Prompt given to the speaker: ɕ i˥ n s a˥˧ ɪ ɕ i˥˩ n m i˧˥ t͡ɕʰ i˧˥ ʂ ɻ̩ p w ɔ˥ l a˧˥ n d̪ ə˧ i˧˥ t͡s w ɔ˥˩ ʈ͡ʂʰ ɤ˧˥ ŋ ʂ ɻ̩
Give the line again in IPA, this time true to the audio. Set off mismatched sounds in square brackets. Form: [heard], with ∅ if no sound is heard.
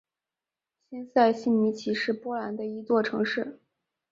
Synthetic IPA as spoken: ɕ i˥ n s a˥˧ ɪ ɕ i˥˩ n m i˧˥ t͡ɕʰ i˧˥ ʂ ɻ̩ p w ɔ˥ l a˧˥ n d̪ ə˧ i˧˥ t͡s w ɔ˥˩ ʈ͡ʂʰ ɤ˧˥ ŋ ʂ ɻ̩